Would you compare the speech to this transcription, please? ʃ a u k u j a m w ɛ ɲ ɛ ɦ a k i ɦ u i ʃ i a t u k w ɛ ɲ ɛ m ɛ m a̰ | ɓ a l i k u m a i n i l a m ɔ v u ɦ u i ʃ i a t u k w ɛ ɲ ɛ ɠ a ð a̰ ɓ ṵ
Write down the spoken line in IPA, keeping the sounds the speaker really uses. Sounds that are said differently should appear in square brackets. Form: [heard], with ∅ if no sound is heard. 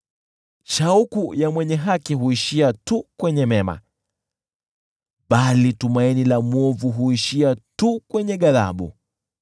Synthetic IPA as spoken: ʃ a u k u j a m w ɛ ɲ ɛ ɦ a k i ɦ u i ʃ i a t u k w ɛ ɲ ɛ m ɛ m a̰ | ɓ a l i [t] u m a i n i l a m ɔ v u ɦ u i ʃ i a t u k w ɛ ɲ ɛ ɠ a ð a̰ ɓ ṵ